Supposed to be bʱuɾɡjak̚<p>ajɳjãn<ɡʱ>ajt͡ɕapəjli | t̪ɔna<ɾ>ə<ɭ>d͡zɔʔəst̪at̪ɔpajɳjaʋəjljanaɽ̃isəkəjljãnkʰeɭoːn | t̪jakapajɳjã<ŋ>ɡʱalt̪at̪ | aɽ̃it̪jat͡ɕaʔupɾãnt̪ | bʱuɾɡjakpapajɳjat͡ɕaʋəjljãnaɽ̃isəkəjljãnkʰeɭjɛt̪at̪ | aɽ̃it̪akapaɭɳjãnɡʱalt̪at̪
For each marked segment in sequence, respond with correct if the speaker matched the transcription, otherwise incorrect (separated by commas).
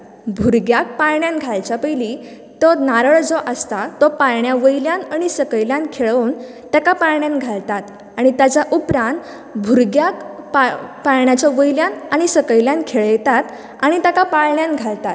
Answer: correct, correct, correct, correct, incorrect